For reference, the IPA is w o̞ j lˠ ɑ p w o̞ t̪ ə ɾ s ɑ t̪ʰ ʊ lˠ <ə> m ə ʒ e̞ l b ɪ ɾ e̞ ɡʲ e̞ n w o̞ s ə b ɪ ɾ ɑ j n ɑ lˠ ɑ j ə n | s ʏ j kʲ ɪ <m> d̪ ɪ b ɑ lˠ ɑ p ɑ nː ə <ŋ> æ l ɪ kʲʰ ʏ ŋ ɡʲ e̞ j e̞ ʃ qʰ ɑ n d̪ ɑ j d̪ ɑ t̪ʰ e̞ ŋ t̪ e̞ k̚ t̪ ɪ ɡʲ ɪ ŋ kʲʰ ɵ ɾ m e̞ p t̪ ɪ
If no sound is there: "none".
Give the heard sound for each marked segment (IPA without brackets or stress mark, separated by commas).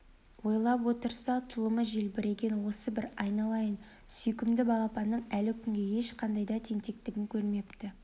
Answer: ə, m, ɴ